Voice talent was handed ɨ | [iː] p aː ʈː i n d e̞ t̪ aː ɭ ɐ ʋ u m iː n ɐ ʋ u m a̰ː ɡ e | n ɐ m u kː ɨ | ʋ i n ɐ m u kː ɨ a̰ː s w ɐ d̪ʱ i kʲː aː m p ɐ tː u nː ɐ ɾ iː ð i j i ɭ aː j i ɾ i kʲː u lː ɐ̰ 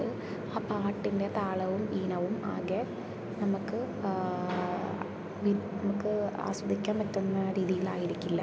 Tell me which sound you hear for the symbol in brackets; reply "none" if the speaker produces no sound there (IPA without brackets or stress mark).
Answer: aː